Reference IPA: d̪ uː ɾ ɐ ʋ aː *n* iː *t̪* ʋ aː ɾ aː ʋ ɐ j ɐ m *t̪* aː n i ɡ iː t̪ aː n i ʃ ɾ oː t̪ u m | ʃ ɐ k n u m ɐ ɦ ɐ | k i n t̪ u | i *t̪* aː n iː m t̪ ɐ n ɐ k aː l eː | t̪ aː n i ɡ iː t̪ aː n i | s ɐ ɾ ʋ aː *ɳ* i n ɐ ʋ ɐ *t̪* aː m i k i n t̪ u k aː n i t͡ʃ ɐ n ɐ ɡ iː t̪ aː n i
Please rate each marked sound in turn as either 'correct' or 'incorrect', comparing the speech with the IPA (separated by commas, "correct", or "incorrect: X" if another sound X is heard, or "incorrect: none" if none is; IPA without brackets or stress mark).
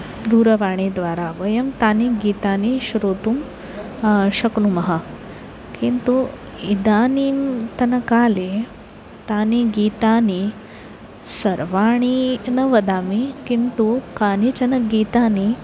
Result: incorrect: ɳ, incorrect: d̪, correct, incorrect: d̪, correct, incorrect: d̪